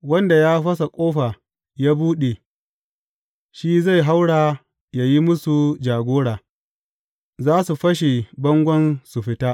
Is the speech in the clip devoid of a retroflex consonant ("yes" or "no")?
no